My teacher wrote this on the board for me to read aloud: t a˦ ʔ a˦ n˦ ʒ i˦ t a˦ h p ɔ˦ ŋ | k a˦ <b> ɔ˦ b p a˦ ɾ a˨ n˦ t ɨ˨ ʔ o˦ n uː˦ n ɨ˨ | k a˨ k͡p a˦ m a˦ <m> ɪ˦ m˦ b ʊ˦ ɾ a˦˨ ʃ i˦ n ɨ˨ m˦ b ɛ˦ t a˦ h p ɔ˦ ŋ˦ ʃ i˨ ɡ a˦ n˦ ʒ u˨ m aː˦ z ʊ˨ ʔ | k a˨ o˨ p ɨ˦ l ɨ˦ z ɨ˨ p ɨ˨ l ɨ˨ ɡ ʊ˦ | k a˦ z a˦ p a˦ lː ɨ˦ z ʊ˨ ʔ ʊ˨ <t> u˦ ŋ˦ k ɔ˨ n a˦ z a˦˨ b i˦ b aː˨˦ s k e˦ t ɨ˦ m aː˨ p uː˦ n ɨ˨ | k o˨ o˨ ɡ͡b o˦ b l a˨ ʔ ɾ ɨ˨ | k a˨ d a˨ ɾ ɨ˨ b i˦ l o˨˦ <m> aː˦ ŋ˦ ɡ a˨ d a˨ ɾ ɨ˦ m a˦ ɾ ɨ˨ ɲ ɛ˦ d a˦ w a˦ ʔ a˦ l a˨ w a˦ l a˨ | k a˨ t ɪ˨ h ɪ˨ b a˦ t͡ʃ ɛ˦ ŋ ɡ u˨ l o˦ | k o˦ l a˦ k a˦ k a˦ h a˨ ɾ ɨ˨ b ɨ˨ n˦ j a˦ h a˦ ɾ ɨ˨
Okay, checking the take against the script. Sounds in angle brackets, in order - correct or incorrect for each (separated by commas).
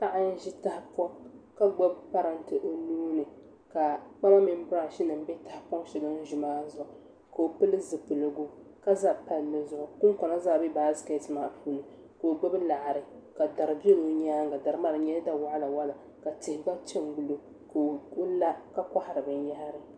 incorrect, correct, incorrect, incorrect